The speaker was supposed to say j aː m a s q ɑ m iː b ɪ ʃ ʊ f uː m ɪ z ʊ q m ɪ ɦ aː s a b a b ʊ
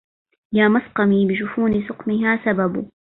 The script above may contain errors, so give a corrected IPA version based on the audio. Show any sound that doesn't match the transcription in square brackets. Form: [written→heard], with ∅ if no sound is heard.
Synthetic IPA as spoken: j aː m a s q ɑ m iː b ɪ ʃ ʊ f uː [m→n] ɪ [z→s] ʊ q m ɪ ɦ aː s a b a b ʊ

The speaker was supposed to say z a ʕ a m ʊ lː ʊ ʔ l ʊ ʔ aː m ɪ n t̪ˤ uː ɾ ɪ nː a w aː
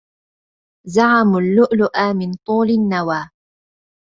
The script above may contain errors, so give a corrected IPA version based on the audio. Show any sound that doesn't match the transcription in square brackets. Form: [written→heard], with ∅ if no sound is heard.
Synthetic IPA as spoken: z a ʕ a m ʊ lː ʊ ʔ l ʊ ʔ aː m ɪ n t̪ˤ uː [ɾ→l] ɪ nː a w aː

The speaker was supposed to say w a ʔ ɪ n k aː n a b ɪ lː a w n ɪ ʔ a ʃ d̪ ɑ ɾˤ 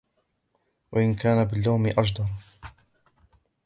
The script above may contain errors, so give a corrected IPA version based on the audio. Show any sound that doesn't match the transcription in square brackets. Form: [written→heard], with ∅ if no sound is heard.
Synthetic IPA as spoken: w a ʔ ɪ n k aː n a b ɪ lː a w [n→m] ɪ ʔ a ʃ d̪ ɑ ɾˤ

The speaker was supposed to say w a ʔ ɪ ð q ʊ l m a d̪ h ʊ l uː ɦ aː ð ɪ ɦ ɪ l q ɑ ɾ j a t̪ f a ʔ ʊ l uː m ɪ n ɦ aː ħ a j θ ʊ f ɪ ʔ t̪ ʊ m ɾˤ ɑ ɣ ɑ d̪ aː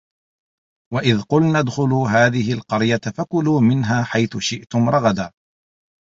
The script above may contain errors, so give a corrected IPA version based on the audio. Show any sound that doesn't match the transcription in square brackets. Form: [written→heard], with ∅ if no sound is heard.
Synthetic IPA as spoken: w a ʔ ɪ ð q ʊ l [m→n] a d̪ [h→x] ʊ l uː ɦ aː ð ɪ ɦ ɪ l q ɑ ɾ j a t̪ f a [ʔ→k] ʊ l uː m ɪ n ɦ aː ħ a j θ ʊ [f→ʃ] ɪ ʔ t̪ ʊ m ɾˤ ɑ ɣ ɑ d̪ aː

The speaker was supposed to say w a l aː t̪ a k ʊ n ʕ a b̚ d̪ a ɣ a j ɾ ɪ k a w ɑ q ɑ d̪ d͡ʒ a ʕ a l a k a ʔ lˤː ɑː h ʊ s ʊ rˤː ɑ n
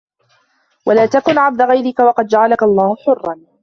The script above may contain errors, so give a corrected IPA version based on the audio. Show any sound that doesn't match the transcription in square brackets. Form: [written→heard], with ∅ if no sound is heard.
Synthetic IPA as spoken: w a l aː t̪ a k ʊ n ʕ a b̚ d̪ a ɣ a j ɾ ɪ k a w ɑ q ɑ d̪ d͡ʒ a ʕ a l a k a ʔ lˤː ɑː h ʊ [s→ħ] ʊ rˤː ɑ n

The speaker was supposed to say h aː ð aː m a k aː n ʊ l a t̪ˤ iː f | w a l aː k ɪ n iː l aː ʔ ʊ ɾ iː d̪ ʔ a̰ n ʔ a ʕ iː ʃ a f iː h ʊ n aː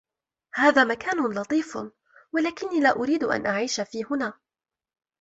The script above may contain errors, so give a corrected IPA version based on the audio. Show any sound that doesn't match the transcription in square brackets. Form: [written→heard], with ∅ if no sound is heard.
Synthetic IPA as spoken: h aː ð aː m a k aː n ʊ l [a→ɑ] t̪ˤ iː f | w a l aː k ɪ [n→nː] iː l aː ʔ ʊ ɾ iː d̪ ʔ a̰ n ʔ a ʕ iː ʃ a f iː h ʊ n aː

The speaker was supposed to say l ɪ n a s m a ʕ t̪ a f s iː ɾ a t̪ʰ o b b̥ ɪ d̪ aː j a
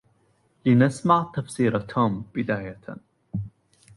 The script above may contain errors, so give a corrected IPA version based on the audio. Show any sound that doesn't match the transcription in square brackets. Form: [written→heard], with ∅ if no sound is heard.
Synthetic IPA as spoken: l ɪ n a s m a ʕ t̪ a f s iː ɾ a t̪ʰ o [b→m] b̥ ɪ d̪ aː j a

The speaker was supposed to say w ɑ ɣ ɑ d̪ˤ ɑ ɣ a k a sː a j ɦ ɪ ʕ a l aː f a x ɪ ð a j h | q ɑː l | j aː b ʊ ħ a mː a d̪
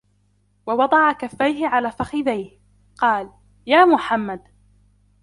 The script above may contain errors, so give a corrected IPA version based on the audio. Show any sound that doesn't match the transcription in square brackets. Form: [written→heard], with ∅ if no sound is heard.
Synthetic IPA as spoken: w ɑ [ɣ→w] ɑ d̪ˤ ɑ [ɣ→ʕ] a k a [sː→fː] a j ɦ ɪ ʕ a l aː f a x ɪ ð a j h | q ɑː l | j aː [b→m] ʊ ħ a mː a d̪

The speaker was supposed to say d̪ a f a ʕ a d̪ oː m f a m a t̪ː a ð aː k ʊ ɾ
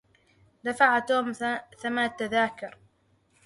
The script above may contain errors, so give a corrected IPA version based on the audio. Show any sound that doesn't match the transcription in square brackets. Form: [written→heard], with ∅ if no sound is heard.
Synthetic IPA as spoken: d̪ a f a ʕ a [d̪→t̪] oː m [f→θ] a m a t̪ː a ð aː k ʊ ɾ

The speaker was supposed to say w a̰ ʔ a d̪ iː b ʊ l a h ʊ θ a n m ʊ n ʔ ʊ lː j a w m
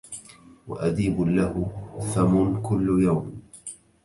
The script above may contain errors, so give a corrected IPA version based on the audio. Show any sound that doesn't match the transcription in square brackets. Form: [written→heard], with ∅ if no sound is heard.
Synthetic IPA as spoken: w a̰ ʔ a d̪ iː b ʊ l a h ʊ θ a [n→∅] m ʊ n [ʔ→k] ʊ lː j a w m

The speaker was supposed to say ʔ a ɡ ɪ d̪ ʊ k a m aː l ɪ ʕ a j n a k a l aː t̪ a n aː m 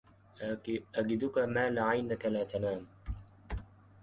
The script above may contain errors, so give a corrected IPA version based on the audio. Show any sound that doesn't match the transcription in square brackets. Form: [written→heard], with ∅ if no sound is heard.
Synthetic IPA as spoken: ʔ a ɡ ɪ d̪ ʊ k a m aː l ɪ ʕ a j n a k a l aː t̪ a n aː m

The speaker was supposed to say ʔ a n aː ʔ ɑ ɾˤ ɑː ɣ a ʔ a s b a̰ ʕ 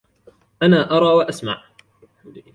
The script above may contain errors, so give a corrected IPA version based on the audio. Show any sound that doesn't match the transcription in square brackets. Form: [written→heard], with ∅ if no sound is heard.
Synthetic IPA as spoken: ʔ a n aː ʔ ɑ ɾˤ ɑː [ɣ→w] a ʔ a s [b→m] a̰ ʕ

